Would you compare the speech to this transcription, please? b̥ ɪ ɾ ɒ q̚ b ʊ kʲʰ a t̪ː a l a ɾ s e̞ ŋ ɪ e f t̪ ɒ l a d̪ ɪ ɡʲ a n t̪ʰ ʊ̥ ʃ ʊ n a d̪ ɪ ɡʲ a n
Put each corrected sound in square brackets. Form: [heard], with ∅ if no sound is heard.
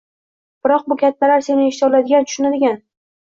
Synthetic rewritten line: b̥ ɪ ɾ ɒ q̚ b ʊ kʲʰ a t̪ː a l a ɾ s e̞ [n] ɪ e [ʃ] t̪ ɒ l a d̪ ɪ ɡʲ a n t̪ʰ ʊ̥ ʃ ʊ n a d̪ ɪ ɡʲ a n